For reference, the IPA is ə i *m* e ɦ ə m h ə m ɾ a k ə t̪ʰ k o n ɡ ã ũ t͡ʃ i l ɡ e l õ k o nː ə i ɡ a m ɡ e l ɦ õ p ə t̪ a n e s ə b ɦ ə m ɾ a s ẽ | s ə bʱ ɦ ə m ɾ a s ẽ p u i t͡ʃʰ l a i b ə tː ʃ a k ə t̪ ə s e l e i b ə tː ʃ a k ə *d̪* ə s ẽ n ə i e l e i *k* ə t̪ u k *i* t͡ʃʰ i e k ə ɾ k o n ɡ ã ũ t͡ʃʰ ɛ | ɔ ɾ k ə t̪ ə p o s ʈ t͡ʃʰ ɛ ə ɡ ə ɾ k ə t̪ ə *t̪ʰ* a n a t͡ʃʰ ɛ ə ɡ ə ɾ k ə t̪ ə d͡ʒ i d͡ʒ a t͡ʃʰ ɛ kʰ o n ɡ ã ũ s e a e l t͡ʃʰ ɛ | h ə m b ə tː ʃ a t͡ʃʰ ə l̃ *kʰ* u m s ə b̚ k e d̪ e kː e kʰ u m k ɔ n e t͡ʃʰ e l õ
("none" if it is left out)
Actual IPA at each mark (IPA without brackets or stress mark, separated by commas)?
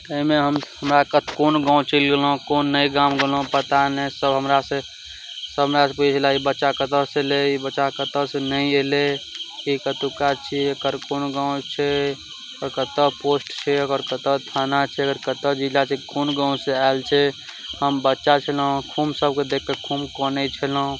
m, t̪, k, a, t̪ʰ, kʰ